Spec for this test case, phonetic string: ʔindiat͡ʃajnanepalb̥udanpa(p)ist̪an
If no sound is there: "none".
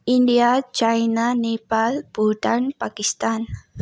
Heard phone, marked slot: k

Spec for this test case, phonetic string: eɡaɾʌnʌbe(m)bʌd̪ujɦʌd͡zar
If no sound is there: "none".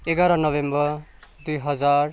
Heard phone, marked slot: m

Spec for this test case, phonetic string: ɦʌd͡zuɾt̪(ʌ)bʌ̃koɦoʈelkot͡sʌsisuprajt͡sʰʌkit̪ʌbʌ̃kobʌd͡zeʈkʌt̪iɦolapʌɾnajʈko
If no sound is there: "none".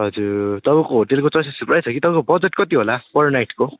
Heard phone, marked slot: ʌ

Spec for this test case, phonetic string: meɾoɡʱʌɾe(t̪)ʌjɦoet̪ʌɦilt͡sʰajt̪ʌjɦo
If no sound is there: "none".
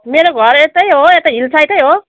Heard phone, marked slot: t̪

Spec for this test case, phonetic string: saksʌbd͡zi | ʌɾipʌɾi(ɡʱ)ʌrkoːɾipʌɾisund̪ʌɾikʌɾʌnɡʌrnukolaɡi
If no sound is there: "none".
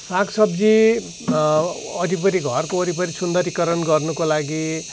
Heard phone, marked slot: ɡʱ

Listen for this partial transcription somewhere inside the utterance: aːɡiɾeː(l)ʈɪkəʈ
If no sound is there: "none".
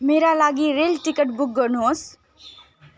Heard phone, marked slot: l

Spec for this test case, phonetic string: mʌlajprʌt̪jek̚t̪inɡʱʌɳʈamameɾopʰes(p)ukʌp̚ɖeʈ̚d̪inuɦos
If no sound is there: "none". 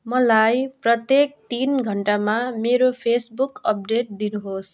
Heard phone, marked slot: b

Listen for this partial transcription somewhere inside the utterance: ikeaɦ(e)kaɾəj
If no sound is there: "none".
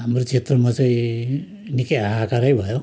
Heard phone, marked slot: a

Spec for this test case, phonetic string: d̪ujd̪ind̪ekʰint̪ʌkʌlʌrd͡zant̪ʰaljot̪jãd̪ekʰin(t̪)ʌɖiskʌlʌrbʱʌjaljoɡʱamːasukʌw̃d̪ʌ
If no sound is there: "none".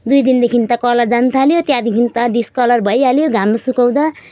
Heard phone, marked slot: t̪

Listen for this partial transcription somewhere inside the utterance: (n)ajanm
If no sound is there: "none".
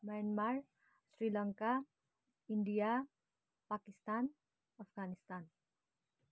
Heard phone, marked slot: m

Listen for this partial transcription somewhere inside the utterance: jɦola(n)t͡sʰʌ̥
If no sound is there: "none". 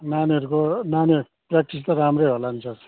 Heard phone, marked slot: n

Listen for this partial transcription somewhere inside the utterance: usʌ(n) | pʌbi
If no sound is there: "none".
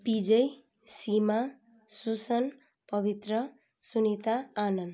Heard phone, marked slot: n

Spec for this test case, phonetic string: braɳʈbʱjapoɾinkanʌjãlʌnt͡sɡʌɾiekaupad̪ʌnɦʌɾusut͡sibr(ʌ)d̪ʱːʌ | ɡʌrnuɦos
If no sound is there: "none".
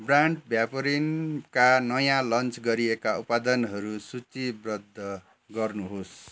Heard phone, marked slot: ʌ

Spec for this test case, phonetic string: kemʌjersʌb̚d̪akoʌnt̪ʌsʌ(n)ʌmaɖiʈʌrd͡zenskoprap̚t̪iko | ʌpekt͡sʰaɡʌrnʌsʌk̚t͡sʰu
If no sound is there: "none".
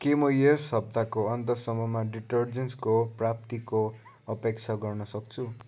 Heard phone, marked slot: m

